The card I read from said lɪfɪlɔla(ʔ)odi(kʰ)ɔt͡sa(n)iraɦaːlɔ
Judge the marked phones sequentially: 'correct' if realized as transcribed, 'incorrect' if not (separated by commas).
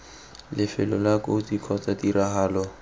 incorrect, correct, incorrect